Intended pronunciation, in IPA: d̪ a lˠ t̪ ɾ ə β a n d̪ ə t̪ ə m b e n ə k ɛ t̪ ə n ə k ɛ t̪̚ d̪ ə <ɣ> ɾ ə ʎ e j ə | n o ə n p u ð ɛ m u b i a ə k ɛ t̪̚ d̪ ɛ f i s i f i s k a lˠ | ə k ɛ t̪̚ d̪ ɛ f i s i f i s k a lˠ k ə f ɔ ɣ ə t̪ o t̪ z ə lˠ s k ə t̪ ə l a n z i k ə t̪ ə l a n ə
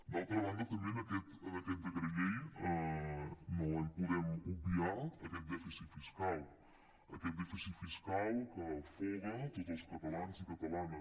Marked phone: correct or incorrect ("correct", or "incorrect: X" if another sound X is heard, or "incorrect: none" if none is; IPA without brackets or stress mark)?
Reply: correct